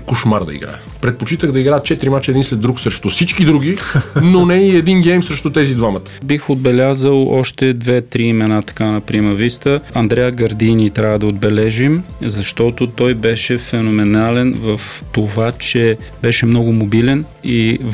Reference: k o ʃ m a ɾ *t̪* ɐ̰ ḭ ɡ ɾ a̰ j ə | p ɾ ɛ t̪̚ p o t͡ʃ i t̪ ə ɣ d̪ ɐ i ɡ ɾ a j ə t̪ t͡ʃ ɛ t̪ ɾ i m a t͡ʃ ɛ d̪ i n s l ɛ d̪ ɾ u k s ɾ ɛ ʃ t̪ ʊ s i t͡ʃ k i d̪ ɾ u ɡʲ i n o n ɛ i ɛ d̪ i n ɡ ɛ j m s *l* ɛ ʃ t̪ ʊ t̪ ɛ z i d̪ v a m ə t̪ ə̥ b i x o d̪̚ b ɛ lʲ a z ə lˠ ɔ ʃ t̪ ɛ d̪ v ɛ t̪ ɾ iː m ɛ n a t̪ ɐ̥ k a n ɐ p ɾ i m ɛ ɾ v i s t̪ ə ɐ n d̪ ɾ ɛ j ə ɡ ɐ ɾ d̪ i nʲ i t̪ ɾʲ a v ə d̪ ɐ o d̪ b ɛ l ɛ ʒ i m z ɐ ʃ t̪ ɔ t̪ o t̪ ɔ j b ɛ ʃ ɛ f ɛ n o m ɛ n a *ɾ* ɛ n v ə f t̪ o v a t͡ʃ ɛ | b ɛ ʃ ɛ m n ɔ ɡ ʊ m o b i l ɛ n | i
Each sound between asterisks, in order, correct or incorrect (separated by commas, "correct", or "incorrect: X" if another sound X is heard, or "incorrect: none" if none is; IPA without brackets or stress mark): incorrect: d̪, incorrect: ɾ, incorrect: l